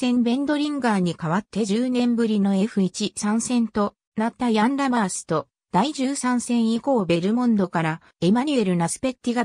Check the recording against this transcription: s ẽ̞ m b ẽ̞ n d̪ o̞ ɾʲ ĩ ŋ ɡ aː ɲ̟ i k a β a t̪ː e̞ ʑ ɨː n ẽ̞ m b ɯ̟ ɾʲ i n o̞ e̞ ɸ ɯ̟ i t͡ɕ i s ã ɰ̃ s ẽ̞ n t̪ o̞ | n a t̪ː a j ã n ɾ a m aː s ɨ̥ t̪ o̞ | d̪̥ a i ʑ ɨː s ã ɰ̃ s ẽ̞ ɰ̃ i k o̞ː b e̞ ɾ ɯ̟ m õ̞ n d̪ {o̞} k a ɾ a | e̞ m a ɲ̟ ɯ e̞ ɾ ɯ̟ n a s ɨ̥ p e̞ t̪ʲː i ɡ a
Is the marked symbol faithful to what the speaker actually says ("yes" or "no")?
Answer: yes